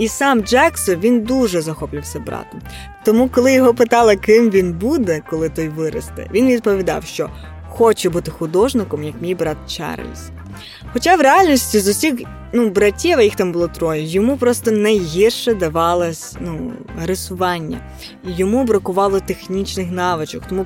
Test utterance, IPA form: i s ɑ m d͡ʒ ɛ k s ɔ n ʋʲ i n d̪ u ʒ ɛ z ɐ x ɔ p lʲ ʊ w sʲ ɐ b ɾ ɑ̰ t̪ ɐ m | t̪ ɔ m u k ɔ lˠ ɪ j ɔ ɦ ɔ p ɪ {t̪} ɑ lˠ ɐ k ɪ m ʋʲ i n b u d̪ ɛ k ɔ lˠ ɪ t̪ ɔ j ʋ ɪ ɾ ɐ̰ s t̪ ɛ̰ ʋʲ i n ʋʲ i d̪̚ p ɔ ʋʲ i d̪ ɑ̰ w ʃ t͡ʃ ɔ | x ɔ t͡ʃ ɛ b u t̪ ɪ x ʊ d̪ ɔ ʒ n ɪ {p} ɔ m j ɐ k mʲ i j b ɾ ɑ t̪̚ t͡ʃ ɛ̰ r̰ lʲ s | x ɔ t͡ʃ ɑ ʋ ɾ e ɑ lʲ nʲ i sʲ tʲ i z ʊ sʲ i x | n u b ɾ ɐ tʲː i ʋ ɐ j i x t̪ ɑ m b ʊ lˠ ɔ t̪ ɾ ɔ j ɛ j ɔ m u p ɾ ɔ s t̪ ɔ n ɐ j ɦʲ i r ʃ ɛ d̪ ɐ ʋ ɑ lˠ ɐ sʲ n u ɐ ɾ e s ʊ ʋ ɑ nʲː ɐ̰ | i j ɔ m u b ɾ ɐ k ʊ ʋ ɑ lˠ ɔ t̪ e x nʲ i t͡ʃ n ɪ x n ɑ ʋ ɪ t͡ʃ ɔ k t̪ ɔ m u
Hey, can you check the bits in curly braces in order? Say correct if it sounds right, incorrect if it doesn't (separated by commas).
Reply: correct, incorrect